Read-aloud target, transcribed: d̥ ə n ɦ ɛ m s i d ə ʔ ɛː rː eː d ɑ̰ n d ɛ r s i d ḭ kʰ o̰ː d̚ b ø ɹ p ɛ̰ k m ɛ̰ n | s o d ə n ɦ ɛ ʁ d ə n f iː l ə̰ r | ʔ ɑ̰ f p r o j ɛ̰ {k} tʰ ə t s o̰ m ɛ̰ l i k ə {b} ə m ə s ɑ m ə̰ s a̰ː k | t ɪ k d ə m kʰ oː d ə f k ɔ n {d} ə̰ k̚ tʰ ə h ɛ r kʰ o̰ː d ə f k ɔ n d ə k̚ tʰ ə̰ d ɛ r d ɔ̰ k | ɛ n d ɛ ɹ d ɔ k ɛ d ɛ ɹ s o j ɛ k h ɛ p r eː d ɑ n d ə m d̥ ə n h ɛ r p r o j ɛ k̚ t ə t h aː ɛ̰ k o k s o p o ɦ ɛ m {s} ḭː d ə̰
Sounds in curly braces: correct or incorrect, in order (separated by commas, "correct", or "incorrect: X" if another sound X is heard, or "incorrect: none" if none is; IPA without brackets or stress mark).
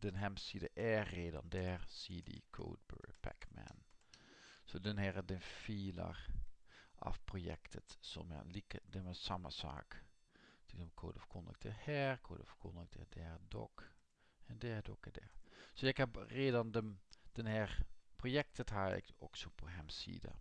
correct, incorrect: d, correct, correct